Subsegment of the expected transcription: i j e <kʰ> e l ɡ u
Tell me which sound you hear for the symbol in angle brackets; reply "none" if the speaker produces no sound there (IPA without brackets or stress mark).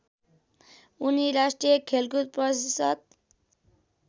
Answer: kʰ